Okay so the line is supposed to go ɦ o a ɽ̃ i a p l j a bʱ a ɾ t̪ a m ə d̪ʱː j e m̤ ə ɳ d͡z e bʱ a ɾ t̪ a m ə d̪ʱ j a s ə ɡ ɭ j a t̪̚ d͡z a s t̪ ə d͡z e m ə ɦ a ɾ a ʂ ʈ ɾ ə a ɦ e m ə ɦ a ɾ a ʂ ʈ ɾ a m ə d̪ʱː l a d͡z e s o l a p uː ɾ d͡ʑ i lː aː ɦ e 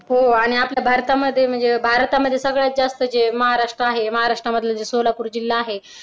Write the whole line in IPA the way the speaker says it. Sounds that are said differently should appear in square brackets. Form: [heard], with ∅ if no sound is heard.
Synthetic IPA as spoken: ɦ o a ɽ̃ i a p l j a bʱ a ɾ t̪ a m ə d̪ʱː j e m̤ ə ɳ d͡z e bʱ a ɾ t̪ a m ə d̪ʱ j [e] s ə ɡ ɭ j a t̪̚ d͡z a s t̪ ə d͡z e m ə ɦ a ɾ a ʂ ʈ ɾ ə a ɦ e m ə ɦ a ɾ a ʂ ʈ ɾ a m ə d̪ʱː l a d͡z e s o l a p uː ɾ d͡ʑ i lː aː ɦ e